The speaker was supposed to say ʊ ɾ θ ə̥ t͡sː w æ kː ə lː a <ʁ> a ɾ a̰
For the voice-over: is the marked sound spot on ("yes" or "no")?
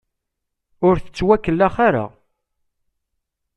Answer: no